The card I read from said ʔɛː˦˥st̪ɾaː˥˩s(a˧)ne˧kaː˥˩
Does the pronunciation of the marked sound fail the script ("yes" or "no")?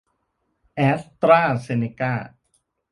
yes